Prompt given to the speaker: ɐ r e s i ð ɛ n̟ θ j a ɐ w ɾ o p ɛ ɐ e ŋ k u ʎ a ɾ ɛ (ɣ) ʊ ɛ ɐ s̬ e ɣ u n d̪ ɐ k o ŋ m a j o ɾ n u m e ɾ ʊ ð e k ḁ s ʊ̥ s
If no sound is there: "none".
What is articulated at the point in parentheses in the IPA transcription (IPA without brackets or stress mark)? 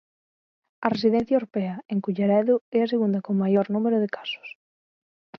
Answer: ð